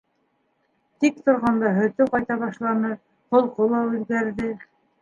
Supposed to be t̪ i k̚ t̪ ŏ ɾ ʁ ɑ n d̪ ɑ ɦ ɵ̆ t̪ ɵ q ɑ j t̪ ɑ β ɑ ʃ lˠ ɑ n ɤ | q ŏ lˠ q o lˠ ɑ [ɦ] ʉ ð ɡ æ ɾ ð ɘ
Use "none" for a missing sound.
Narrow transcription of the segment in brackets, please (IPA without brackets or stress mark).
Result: none